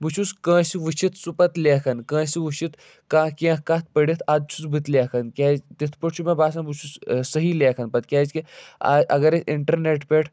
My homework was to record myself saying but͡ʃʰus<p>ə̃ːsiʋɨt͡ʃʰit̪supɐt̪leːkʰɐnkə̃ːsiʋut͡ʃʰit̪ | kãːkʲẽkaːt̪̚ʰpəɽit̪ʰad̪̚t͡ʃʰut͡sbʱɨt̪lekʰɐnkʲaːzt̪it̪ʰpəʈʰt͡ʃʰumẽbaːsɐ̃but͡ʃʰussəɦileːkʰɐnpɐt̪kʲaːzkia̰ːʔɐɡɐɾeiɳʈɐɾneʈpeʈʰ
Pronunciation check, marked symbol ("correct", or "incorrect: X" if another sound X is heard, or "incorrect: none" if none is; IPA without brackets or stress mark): incorrect: k